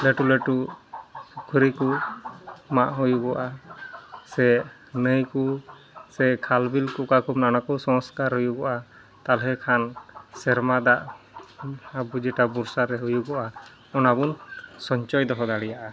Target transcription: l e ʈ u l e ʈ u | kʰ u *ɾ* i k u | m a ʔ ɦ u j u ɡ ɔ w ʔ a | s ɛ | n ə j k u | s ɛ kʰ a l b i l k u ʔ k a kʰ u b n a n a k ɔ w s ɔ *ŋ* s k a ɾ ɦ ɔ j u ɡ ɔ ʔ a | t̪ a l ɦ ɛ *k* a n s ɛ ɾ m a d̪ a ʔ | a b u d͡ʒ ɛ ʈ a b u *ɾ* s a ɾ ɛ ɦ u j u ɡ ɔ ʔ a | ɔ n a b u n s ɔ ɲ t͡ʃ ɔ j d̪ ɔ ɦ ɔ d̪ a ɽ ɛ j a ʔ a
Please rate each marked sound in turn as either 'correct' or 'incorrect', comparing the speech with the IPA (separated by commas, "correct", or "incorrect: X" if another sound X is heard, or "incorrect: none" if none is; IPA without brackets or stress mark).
correct, correct, incorrect: kʰ, correct